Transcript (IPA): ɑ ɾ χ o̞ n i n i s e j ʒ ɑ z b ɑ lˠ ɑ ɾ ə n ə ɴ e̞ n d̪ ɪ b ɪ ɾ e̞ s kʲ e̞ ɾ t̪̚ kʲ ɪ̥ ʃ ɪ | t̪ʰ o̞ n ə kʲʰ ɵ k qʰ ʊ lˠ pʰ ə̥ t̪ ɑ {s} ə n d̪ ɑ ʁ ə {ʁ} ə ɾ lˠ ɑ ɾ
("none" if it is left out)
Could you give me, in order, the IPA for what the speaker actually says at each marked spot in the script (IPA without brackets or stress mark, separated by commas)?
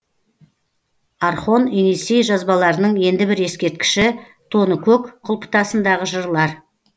s, ʒ